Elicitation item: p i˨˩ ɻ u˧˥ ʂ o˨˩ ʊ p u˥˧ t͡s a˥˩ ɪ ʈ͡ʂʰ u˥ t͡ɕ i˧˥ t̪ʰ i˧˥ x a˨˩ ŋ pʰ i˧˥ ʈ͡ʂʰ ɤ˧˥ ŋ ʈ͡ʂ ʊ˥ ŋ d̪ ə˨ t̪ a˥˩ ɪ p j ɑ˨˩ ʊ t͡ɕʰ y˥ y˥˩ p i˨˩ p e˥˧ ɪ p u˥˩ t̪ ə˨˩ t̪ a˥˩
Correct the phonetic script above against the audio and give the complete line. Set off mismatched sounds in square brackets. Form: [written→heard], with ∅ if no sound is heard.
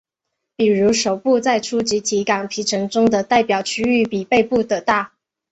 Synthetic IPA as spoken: p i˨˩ ɻ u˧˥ ʂ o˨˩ ʊ p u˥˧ t͡s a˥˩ ɪ ʈ͡ʂʰ u˥ t͡ɕ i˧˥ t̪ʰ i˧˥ [x→k] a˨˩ ŋ pʰ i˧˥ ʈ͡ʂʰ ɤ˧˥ ŋ ʈ͡ʂ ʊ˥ ŋ d̪ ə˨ t̪ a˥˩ ɪ p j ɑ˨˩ ʊ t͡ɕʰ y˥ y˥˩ p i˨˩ p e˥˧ ɪ p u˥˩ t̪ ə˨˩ t̪ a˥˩